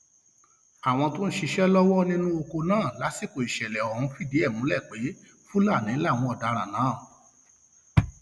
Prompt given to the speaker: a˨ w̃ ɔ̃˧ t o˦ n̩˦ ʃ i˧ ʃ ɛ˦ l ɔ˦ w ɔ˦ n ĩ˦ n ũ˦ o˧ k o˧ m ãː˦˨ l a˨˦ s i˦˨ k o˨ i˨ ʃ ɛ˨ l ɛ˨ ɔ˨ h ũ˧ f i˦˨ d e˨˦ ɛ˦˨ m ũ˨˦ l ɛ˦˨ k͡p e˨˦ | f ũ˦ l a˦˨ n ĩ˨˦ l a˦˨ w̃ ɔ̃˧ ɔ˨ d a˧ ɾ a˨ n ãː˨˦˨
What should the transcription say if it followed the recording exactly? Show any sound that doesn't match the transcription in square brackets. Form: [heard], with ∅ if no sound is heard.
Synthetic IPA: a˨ w̃ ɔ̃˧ t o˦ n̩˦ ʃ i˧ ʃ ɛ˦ l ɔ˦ w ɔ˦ n ĩ˦ n ũ˦ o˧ k o˧ [n] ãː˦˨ l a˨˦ s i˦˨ k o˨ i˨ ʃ ɛ˨ l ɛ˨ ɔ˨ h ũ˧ f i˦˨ d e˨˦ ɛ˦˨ m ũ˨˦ l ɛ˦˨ k͡p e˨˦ | f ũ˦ l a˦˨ n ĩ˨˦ l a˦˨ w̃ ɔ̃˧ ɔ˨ d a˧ ɾ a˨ n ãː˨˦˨